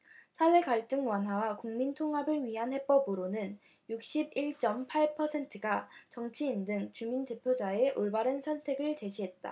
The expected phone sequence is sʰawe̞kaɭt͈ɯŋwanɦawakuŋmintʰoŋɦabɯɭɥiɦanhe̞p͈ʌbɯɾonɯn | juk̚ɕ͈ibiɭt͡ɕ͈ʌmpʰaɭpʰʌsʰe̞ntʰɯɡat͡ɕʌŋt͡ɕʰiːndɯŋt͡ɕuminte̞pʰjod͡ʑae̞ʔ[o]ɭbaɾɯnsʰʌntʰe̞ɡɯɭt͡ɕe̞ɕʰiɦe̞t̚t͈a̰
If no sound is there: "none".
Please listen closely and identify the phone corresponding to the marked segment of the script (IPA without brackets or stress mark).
o